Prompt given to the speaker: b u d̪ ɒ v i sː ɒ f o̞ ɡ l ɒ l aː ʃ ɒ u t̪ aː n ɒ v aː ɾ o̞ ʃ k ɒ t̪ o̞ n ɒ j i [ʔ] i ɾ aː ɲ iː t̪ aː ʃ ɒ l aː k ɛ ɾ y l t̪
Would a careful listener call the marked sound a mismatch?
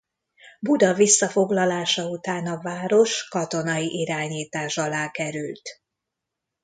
no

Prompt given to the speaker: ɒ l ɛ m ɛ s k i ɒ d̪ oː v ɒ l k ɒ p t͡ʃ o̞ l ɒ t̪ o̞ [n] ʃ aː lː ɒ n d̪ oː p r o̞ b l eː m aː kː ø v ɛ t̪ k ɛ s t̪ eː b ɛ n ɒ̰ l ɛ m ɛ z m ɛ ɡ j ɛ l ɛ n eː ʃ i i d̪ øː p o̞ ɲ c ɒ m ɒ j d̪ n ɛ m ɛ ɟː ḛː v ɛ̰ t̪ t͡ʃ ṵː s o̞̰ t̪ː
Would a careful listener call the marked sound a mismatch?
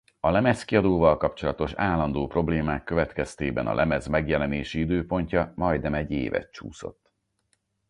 yes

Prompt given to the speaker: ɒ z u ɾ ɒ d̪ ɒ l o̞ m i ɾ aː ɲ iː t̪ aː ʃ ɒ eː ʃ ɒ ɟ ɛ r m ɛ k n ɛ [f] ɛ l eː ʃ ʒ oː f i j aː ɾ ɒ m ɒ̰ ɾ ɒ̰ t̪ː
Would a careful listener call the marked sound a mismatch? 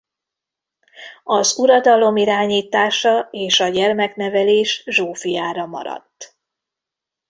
yes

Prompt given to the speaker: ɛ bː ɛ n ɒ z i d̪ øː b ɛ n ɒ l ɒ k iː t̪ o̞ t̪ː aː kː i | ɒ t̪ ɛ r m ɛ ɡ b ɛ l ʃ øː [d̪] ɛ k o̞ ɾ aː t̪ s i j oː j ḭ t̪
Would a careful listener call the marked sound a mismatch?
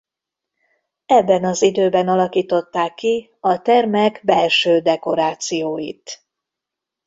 no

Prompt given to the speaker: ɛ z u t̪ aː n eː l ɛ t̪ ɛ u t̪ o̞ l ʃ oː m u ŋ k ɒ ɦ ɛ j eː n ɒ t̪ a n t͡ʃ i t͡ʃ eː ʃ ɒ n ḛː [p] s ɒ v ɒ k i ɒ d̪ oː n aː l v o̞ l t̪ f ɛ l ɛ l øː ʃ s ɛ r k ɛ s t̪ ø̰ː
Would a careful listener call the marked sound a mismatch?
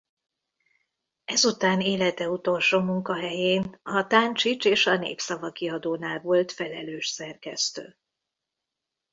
no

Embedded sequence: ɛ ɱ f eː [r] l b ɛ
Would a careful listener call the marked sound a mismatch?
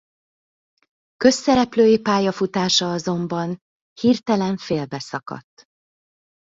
yes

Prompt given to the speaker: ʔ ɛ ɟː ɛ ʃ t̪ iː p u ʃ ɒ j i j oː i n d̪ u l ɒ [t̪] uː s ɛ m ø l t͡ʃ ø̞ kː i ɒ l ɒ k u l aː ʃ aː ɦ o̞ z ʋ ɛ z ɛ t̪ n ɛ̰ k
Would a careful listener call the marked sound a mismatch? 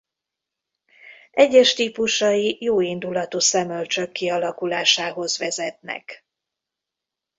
no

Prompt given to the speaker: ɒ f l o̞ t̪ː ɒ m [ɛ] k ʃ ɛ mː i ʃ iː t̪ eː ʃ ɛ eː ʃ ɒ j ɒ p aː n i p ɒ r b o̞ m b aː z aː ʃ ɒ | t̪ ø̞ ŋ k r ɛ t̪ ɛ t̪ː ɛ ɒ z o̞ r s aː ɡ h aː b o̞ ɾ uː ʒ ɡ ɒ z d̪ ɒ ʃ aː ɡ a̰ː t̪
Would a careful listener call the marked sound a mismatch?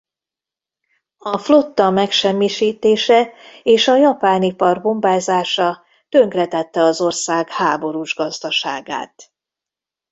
no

